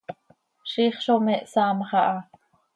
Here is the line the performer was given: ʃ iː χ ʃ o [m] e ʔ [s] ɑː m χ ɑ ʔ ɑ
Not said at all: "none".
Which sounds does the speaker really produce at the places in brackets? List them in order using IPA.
m, s

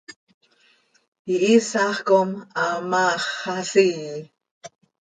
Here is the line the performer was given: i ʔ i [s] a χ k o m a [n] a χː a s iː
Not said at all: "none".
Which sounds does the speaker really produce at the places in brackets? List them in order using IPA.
s, m

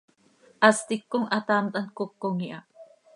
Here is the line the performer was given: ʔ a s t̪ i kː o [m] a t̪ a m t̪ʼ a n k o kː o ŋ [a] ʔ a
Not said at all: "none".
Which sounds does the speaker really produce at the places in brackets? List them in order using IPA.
ŋ, i

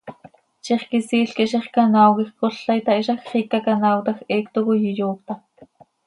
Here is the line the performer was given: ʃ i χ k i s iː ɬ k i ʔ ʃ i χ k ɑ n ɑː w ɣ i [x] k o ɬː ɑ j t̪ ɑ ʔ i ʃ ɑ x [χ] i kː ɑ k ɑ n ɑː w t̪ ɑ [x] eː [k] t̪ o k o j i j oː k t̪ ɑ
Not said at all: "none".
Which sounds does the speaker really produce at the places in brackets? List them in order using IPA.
x, χ, x, k

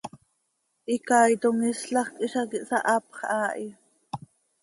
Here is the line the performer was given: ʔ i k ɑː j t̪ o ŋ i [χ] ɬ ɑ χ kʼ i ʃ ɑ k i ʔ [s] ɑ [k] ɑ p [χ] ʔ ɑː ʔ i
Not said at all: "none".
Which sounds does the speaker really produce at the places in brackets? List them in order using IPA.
s, s, ʔ, χ

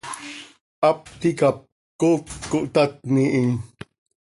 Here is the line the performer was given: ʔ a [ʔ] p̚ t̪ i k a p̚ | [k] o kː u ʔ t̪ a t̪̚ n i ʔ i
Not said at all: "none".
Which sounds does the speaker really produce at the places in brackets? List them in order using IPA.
none, k

